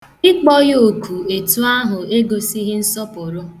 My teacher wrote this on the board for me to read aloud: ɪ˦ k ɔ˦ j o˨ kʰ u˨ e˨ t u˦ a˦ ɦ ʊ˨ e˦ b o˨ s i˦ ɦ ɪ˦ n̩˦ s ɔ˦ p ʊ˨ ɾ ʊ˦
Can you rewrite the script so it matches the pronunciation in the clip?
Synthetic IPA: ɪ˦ k͡p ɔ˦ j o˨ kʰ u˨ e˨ t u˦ a˦ ɦ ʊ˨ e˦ ɡ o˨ s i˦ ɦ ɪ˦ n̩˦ s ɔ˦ p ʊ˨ ɾ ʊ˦